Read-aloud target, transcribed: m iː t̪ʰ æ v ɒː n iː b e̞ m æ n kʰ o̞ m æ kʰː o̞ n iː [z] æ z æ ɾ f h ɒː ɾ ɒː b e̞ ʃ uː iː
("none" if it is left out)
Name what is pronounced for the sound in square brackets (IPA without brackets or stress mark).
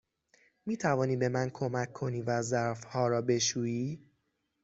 v